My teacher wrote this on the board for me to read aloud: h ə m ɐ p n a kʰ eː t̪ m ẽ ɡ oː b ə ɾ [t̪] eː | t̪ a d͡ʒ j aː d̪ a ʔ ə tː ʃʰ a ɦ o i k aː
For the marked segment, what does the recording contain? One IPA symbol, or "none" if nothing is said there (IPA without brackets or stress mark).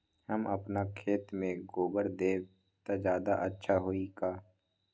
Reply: d̪